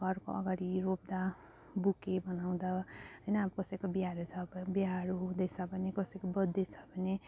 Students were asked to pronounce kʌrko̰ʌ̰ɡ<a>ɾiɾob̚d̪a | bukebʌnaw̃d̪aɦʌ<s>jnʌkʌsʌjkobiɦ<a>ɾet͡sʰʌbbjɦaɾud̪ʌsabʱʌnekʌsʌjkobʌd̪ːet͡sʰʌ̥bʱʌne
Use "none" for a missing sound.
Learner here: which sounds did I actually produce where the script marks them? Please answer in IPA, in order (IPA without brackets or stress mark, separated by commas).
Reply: a, none, a